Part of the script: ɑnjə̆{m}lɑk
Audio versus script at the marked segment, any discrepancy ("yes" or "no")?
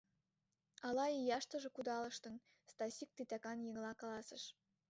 yes